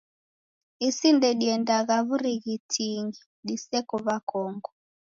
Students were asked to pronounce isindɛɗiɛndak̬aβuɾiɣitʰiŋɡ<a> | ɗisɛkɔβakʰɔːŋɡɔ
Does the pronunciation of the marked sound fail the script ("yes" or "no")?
yes